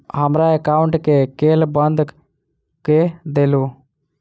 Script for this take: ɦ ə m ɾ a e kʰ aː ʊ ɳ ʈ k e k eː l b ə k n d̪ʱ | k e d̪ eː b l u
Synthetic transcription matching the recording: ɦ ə m ɾ a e k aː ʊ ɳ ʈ k e k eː l b ə n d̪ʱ | k e d̪ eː l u